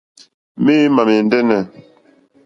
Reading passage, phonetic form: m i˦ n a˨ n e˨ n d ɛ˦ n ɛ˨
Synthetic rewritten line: m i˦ m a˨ m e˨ n d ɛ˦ n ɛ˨